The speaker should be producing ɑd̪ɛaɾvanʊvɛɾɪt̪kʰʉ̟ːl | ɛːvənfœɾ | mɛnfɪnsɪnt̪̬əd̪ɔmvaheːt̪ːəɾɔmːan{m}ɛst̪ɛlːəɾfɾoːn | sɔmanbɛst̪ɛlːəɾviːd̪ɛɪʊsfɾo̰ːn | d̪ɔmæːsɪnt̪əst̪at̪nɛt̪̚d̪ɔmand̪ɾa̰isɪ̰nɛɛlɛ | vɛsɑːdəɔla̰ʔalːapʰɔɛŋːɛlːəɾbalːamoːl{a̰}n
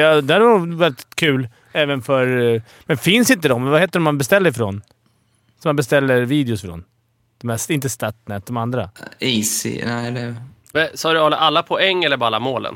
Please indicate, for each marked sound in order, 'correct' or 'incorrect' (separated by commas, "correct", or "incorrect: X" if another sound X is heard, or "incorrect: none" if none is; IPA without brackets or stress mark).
incorrect: b, incorrect: ə̰